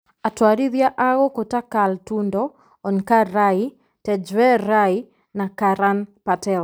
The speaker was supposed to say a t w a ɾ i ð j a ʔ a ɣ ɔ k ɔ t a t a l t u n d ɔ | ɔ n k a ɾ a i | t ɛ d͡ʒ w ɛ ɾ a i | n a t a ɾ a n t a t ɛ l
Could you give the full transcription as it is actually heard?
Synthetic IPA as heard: a t w a ɾ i ð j a ʔ a ɣ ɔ k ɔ t a k a l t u n d ɔ | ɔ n k a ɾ a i | t ɛ d͡ʒ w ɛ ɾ a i | n a k a ɾ a n p a t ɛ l